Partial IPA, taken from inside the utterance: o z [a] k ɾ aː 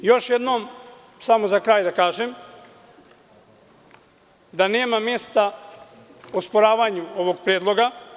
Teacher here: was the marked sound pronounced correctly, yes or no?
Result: yes